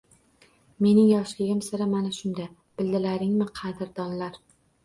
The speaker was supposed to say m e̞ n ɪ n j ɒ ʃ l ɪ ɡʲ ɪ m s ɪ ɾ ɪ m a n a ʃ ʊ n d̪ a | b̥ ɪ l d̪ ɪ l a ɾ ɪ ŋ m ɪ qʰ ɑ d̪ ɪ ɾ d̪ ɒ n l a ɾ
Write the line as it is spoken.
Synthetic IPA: m e̞ n ɪ ŋ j ɒ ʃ l ɪ ɡʲ ɪ m s ɪ ɾ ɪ m a n a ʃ ʊ n d̪ a | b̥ ɪ l d̪ ɪ l a ɾ ɪ ŋ m ɪ qʰ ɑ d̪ ɪ ɾ d̪ ɒ n l a ɾ

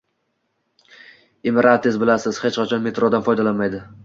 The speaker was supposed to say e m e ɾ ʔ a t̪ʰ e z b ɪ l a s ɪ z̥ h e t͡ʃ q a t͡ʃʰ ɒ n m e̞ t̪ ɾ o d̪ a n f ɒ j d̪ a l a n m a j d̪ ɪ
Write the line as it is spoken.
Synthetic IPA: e m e ɾ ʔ a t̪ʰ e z b ɪ l a s ɪ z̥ h e t͡ʃ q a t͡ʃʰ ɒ n m e̞ t̪ ɾ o d̪ a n f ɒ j d̪ a l a n m a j d̪ ɪ

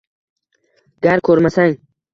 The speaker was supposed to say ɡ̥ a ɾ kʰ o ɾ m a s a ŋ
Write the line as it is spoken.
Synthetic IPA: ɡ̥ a ɾ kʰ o ɾ m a s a ŋ

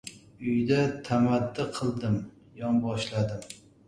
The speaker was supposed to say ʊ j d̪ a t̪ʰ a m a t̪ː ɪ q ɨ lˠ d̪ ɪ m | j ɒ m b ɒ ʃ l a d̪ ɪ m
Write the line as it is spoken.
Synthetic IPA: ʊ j d̪ a t̪ʰ a m a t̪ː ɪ qʰ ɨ lˠ d̪ ɪ m | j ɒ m b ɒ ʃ l a d̪ ɪ m

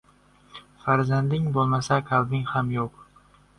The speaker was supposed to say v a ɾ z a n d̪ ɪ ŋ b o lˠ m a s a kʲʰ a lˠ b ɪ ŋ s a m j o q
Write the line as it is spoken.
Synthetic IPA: f a ɾ z a n d̪ ɪ ŋ b o lˠ m a s a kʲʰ a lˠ b ɪ ŋ h a m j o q

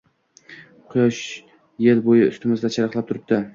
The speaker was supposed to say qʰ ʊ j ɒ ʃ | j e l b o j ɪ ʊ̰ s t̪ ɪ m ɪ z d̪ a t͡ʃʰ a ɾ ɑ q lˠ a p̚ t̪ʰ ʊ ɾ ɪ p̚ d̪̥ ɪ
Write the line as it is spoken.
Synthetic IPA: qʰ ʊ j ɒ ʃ | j e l b o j ɪ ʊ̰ s t̪ ɪ m ɪ z d̪ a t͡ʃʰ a ɾ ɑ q lˠ a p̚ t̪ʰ ʊ ɾ ɪ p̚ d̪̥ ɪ

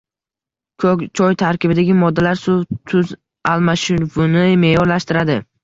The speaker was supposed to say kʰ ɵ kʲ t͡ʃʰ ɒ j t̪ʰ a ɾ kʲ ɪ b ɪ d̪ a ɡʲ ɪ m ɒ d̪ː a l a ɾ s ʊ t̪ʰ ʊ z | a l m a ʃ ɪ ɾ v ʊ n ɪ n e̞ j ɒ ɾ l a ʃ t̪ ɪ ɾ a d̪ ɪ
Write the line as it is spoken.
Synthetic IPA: kʰ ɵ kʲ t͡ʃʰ ɒ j t̪ʰ a ɾ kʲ ɪ b ɪ d̪ a ɡʲ ɪ m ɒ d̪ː a l a ɾ s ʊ t̪ʰ ʊ z | a l m a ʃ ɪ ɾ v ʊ n ɪ m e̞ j ɒ ɾ l a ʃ t̪ ɪ ɾ a d̪ ɪ

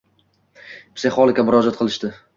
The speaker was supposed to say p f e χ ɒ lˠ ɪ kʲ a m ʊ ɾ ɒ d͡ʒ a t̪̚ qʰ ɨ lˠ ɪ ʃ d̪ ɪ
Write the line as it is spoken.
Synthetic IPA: p s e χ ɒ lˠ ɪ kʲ a m ʊ ɾ ɒ d͡ʒ a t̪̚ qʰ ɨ lˠ ɪ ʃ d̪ ɪ

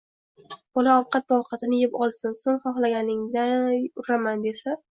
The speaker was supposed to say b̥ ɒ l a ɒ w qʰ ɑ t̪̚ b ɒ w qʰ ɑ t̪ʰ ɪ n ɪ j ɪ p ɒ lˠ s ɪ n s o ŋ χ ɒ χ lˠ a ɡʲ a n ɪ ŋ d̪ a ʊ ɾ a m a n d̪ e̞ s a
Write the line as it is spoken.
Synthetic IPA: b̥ ɒ l a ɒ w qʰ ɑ t̪̚ b ɒ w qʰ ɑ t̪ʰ ɪ n ɪ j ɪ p ɒ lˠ s ɪ n s o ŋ χ ɒ χ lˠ a ɡʲ a n ɪ ŋ d̪ a ʊ ɾ a m a n d̪ e̞ s a

